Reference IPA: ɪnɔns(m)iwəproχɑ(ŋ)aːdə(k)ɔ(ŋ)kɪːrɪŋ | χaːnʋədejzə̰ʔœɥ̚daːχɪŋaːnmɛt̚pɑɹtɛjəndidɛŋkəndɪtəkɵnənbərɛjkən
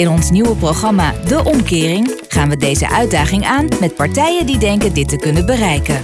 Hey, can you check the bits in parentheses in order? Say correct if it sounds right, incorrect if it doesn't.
incorrect: n, incorrect: m, incorrect: ʔ, incorrect: m

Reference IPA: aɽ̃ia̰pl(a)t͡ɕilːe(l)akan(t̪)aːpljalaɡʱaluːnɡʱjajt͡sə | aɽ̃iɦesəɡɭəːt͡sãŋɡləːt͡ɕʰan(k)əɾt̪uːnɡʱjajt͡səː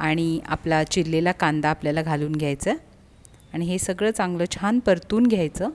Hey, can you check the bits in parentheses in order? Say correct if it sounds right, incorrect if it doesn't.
correct, correct, incorrect: d̪, incorrect: p

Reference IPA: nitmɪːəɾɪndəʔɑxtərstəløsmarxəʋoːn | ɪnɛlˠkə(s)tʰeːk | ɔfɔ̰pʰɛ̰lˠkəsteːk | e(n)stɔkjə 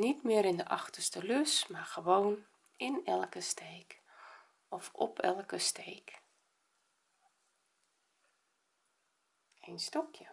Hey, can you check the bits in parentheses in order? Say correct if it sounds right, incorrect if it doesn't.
correct, correct

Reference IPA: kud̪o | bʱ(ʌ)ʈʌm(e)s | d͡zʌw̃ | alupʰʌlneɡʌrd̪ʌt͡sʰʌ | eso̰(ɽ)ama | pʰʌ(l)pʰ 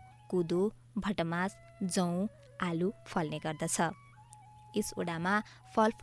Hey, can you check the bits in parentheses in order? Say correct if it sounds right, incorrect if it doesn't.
correct, incorrect: a, correct, correct

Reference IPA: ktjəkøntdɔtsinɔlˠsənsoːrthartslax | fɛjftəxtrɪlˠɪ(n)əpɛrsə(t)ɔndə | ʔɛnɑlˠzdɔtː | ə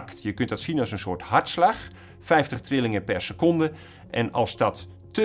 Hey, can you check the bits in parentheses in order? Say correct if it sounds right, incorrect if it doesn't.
incorrect: ŋ, incorrect: k

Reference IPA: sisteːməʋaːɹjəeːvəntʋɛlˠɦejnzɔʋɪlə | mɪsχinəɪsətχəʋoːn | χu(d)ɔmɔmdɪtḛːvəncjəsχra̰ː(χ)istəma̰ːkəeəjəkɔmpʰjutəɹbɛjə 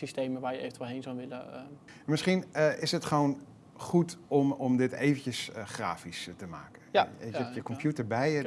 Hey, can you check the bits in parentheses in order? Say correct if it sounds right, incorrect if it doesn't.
incorrect: t, incorrect: f

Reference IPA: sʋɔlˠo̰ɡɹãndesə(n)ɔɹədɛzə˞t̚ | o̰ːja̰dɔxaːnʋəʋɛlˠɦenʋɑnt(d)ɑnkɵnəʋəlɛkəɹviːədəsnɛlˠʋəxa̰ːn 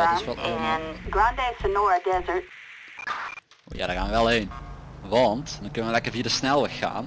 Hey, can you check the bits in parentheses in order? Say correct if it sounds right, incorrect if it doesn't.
correct, correct

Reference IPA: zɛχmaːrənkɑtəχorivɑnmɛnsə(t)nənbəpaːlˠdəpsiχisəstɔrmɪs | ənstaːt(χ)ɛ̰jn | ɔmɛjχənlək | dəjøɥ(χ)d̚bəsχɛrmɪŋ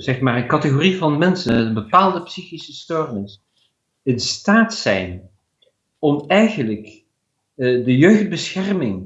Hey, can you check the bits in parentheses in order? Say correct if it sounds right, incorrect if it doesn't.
incorrect: none, incorrect: s, correct

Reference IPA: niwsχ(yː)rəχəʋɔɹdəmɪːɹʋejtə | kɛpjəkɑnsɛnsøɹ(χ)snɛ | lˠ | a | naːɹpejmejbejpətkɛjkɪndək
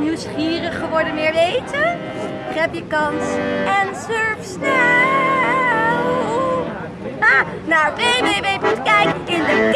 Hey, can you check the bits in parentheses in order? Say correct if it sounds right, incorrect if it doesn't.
incorrect: iː, incorrect: f

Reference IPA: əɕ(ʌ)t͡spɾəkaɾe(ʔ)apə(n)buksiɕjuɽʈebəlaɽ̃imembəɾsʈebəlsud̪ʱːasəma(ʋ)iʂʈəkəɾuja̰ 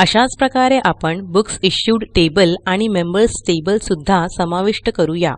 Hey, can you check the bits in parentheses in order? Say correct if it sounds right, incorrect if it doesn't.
incorrect: a, correct, incorrect: ɳ, correct

